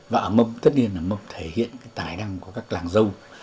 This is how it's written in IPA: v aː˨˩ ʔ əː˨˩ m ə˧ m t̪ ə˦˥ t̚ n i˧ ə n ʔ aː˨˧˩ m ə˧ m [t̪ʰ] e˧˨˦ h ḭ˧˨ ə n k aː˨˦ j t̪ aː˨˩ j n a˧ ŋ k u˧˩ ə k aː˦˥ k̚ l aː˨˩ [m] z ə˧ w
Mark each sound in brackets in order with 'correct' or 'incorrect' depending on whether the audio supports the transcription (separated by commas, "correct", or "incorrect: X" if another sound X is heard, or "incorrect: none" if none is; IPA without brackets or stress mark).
correct, incorrect: ŋ